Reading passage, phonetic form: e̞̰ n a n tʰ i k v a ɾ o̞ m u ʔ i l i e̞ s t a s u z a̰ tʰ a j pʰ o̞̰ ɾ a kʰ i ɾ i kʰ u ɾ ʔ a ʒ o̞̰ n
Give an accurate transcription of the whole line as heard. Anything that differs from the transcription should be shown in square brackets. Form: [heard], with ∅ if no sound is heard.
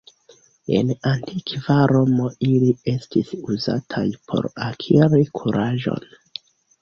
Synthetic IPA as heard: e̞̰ n a n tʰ i k v a ɾ o̞ m [o] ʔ i l i e̞ s t [i] s u z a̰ tʰ a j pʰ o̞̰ ɾ a kʰ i ɾ i kʰ u ɾ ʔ a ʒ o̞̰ n